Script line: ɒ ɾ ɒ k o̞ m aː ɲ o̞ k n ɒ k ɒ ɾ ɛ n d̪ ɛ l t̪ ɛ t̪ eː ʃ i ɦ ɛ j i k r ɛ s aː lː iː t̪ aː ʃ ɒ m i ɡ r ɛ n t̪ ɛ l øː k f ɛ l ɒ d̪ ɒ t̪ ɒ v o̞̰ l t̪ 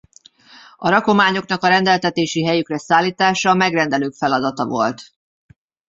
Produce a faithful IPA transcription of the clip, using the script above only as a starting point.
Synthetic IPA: ɒ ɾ ɒ k o̞ m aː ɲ o̞ k n ɒ k ɒ ɾ ɛ n d̪ ɛ l t̪ ɛ t̪ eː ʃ i ɦ ɛ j y k r ɛ s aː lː iː t̪ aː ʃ ɒ m ɛ ɡ r ɛ n d̪ ɛ l øː k f ɛ l ɒ d̪ ɒ t̪ ɒ v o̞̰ l t̪